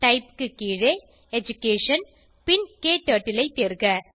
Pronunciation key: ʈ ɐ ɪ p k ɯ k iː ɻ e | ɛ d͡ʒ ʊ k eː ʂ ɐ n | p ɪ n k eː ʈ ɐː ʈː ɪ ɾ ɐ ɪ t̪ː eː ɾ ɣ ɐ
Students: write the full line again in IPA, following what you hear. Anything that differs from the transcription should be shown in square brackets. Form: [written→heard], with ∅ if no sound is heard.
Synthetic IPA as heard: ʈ ɐ ɪ p k ɯ k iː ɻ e | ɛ d͡ʒ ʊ k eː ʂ ɐ n | p ɪ n k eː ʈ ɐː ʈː ɪ [ɾ→l] ɐ ɪ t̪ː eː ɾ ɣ ɐ